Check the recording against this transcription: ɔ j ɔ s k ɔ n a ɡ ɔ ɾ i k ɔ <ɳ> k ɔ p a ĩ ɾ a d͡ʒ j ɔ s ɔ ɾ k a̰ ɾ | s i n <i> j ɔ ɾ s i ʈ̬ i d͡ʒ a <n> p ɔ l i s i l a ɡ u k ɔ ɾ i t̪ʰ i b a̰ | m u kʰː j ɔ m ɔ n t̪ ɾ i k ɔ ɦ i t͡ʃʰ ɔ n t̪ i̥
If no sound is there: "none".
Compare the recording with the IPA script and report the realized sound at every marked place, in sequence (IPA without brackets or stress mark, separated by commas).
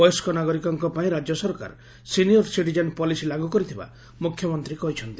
ŋ, i, n